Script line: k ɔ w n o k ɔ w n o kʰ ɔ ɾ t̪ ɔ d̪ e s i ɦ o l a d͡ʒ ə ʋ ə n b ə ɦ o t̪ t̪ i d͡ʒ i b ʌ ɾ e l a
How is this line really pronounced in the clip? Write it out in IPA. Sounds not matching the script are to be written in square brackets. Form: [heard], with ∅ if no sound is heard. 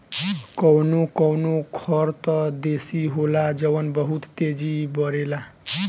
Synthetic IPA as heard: k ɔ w n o k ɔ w n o kʰ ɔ ɾ t̪ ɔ d̪ e s i ɦ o l a d͡ʒ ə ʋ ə n b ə ɦ [u] t̪ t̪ [e] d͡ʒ i b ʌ ɾ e l a